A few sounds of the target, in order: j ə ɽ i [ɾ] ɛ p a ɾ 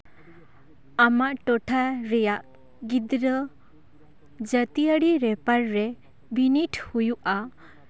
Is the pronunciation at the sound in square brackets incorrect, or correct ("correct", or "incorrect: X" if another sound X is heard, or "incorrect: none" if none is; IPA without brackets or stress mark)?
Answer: correct